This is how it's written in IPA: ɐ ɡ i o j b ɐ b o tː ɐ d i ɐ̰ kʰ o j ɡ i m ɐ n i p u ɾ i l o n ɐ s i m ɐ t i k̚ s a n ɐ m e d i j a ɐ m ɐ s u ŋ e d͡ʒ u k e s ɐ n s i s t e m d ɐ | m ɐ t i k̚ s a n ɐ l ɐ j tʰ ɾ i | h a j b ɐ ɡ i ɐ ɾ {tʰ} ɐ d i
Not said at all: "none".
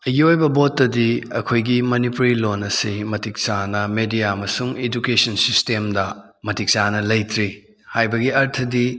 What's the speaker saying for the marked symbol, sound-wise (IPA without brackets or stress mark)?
tʰ